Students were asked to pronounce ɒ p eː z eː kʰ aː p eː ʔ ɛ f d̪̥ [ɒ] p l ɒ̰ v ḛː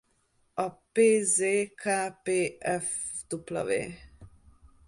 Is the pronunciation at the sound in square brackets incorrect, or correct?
incorrect